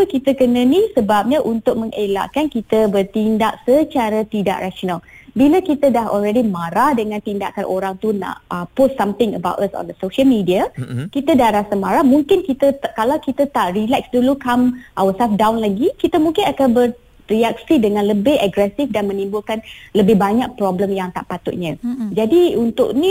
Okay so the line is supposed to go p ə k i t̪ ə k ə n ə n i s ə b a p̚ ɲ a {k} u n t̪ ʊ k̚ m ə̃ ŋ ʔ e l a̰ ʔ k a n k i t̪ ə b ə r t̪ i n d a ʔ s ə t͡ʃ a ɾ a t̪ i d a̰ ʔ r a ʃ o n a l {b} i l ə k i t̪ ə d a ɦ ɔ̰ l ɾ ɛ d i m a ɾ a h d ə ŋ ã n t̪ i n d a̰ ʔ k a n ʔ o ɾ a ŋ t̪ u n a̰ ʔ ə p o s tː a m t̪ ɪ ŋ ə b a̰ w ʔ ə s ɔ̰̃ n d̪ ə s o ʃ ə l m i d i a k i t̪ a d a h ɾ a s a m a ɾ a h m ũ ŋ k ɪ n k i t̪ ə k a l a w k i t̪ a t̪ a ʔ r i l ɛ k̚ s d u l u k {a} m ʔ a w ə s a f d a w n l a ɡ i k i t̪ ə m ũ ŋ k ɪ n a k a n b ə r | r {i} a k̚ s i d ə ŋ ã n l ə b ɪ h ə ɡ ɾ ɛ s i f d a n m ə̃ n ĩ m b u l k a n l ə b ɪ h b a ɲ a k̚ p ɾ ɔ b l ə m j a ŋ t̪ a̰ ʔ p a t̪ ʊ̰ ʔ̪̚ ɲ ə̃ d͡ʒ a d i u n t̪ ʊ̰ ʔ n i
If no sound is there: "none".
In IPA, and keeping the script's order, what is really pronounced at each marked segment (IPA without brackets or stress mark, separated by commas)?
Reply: ʔ, b, a, i